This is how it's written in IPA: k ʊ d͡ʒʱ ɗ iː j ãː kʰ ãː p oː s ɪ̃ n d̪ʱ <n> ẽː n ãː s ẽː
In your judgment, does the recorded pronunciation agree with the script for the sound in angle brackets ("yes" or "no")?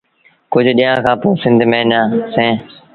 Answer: no